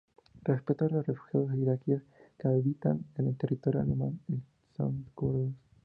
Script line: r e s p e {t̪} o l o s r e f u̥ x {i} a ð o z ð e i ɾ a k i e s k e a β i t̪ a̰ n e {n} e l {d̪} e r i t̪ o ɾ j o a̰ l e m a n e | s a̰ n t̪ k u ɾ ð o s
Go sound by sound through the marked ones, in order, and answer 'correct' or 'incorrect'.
correct, incorrect, correct, incorrect

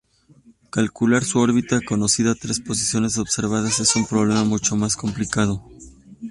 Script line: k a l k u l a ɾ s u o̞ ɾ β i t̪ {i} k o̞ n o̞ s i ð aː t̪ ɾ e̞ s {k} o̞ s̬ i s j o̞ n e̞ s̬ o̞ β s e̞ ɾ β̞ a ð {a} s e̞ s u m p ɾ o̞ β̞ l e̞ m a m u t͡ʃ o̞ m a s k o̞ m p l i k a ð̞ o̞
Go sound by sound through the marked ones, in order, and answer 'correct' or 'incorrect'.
incorrect, incorrect, correct

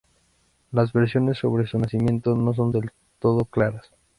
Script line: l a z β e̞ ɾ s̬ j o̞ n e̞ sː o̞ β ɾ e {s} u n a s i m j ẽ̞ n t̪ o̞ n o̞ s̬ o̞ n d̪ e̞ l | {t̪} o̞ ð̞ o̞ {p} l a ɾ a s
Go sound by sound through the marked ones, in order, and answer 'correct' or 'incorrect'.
correct, correct, incorrect

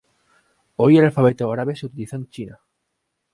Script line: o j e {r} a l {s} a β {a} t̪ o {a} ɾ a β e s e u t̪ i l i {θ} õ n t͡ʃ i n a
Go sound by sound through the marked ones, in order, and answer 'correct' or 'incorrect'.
incorrect, incorrect, incorrect, correct, correct

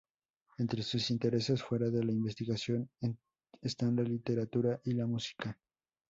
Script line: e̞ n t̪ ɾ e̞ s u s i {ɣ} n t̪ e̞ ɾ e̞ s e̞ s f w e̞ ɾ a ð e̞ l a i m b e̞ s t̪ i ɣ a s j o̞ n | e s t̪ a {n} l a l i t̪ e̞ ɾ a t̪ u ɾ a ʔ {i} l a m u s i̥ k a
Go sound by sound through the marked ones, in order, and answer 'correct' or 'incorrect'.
incorrect, correct, correct

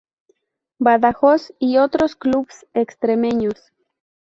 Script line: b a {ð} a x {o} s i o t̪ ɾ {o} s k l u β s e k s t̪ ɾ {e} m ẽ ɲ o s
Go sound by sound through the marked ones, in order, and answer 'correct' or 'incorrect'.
correct, correct, correct, correct

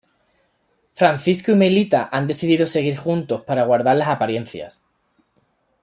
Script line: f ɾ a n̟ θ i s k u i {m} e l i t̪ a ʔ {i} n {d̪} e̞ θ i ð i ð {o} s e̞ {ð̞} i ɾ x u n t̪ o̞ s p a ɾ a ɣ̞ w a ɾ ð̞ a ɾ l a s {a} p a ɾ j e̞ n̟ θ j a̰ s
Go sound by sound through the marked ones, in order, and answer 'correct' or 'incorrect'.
correct, incorrect, correct, correct, incorrect, correct

